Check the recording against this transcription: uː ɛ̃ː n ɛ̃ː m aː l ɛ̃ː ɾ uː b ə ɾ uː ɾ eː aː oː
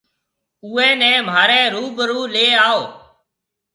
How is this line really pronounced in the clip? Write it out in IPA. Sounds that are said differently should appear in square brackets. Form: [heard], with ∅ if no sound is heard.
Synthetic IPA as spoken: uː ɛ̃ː n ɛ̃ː m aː [ɾ] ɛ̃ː ɾ uː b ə ɾ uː [l] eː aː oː